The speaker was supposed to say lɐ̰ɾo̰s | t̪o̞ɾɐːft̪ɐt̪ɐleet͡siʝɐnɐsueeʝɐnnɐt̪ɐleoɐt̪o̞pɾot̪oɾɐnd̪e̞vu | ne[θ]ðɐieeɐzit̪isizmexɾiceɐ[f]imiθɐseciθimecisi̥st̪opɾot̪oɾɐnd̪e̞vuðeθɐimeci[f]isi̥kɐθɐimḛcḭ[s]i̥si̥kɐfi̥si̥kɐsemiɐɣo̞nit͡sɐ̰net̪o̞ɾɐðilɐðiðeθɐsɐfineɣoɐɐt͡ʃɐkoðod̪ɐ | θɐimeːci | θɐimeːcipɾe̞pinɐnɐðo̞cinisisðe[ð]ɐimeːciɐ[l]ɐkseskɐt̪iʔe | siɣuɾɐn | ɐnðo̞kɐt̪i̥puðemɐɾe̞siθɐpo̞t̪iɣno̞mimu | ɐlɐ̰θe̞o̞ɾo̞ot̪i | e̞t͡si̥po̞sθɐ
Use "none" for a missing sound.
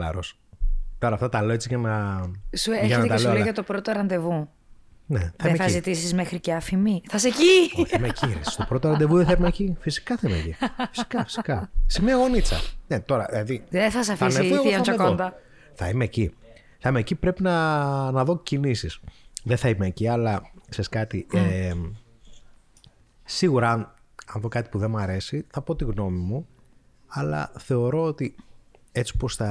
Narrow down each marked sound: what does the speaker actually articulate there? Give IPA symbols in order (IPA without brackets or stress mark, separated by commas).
θ, f, f, f, θ, l